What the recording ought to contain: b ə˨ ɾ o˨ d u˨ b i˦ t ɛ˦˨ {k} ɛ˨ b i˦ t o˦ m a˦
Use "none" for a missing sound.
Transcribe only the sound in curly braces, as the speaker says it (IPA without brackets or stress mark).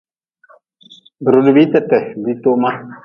t